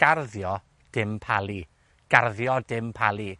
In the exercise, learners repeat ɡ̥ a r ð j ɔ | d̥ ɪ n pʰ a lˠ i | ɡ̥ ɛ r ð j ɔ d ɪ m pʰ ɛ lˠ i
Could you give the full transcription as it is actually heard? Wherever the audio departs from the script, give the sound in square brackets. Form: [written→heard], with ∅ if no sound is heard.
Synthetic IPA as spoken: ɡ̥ a r ð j ɔ | d̥ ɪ [n→m] pʰ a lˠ i | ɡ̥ [ɛ→a] r ð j ɔ d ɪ m pʰ [ɛ→a] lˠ i